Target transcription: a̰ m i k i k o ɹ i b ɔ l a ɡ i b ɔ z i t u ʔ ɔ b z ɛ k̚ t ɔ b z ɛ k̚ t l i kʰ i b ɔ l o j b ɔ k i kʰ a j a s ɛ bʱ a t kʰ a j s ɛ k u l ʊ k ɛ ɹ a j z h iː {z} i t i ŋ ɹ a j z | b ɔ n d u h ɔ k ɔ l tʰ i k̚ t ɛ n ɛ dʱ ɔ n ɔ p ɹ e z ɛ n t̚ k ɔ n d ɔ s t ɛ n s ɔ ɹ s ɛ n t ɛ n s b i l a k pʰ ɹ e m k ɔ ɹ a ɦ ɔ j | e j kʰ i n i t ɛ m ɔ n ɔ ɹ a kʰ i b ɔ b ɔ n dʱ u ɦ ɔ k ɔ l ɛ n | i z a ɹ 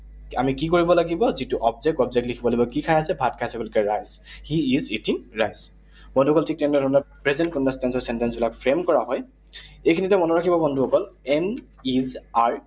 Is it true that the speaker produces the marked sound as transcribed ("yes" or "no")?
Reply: yes